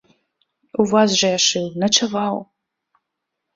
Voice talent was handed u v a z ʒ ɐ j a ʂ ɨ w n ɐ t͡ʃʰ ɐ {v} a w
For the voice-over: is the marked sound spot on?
yes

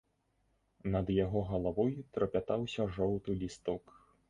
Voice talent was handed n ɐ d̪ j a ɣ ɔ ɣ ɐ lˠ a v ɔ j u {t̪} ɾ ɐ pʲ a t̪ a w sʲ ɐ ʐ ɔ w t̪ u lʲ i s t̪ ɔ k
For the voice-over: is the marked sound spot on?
yes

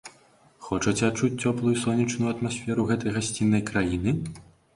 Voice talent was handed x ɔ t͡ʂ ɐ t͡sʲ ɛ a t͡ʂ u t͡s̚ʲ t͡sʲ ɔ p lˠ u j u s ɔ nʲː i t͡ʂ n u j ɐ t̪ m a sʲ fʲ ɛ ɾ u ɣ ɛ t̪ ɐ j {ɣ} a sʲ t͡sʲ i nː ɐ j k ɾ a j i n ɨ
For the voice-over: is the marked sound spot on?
yes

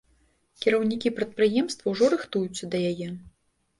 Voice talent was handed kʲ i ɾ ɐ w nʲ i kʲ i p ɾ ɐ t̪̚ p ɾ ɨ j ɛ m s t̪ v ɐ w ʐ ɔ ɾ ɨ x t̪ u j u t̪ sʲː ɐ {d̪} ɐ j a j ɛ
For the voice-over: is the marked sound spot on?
yes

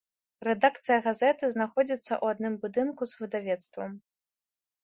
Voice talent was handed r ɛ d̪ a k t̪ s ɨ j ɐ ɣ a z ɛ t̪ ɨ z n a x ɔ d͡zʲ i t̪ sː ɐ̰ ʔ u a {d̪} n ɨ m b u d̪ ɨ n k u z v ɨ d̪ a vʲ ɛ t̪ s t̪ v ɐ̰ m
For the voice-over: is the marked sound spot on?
yes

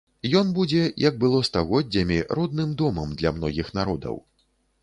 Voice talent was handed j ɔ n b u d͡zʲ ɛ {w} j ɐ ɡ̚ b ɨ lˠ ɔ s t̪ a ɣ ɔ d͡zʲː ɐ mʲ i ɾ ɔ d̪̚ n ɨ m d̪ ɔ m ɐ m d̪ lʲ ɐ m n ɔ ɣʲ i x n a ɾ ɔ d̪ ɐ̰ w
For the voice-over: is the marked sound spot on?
no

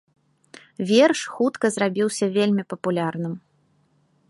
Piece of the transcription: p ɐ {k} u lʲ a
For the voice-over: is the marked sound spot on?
no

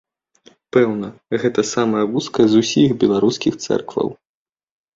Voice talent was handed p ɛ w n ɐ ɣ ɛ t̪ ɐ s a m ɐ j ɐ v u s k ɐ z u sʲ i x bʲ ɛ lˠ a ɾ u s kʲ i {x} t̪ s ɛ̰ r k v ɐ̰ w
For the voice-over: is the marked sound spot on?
yes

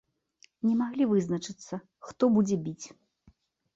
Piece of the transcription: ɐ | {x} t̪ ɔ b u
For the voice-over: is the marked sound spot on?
yes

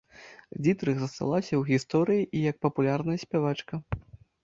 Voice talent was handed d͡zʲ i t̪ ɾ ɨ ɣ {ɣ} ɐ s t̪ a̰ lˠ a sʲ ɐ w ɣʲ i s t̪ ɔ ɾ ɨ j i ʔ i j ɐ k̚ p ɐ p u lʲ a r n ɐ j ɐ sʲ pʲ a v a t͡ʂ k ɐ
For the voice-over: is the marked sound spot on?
no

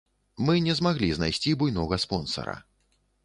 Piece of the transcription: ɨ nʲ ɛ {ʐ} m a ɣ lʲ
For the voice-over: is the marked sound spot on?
no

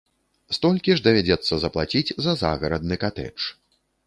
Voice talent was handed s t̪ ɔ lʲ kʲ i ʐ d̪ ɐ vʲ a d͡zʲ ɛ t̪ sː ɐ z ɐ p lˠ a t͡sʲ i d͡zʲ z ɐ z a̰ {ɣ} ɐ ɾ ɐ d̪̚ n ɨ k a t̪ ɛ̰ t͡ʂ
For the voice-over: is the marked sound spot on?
yes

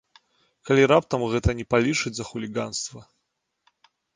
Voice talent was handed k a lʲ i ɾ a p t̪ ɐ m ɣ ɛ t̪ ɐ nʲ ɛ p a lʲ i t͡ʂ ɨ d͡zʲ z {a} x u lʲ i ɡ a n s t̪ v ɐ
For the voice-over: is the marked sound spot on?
no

